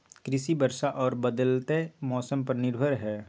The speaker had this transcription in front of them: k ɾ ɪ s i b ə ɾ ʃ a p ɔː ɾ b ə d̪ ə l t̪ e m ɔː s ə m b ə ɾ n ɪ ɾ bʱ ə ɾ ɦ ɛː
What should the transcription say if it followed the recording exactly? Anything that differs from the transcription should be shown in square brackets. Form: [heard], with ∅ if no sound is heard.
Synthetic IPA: k ɾ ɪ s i b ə ɾ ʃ a [ʔ] ɔː ɾ b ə d̪ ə l t̪ e m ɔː s ə m [p] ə ɾ n ɪ ɾ bʱ ə ɾ ɦ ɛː